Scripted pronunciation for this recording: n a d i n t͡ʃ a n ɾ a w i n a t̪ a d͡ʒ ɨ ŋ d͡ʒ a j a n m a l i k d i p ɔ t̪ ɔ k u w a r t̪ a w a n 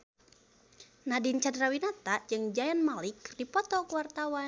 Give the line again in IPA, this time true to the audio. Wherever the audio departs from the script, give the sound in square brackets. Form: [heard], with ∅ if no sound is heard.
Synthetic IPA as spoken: n a d i n t͡ʃ a [d] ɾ a w i n a t̪ a d͡ʒ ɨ ŋ d͡ʒ a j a n m a l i k d i p ɔ t̪ ɔ k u w a r t̪ a w a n